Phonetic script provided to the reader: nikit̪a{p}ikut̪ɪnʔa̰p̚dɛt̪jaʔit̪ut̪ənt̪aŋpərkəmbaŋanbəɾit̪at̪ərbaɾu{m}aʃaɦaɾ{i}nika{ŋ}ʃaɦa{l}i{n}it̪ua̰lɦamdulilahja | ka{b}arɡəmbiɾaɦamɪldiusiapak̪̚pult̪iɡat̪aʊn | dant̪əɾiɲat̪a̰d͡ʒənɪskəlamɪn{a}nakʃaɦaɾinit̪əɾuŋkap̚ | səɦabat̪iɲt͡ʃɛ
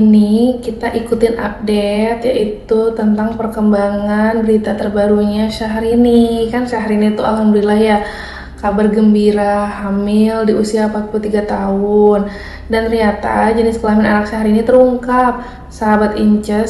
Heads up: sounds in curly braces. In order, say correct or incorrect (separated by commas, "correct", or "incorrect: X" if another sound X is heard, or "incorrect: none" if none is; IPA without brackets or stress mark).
incorrect: ʔ, incorrect: ɲ, correct, incorrect: n, incorrect: ɾ, correct, correct, correct